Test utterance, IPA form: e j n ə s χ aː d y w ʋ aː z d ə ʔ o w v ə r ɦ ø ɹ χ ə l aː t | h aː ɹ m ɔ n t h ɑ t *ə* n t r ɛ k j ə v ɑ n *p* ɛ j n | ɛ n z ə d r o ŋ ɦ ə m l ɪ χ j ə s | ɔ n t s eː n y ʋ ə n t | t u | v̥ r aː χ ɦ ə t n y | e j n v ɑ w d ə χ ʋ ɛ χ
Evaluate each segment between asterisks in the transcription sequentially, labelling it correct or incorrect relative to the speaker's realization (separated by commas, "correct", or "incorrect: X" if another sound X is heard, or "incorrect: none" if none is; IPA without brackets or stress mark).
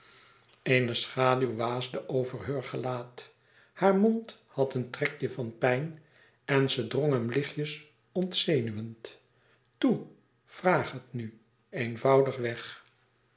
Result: correct, correct